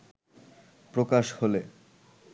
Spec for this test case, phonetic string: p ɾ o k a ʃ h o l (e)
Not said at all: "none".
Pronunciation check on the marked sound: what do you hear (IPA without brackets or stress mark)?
e